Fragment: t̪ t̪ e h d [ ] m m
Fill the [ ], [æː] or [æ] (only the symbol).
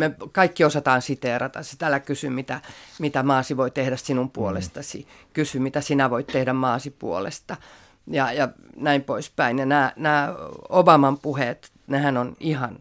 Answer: æ